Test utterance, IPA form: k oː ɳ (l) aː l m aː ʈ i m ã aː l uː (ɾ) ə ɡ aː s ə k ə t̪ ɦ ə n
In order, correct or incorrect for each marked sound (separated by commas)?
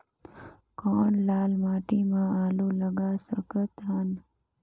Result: correct, incorrect